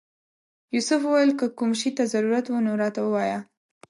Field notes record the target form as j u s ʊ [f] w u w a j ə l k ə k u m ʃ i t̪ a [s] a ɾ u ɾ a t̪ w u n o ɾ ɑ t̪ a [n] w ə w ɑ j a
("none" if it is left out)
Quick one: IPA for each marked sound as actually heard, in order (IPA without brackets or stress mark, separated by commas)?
f, z, none